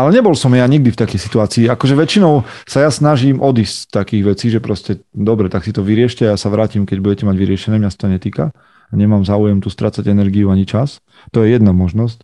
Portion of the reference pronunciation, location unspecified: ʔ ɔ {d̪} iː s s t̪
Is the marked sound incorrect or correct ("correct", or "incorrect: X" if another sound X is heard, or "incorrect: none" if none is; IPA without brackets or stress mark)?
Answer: correct